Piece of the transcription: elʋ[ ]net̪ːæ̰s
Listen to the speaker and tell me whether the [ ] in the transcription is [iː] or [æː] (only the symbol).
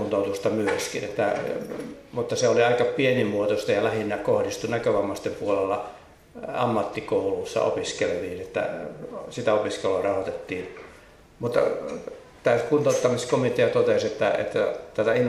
iː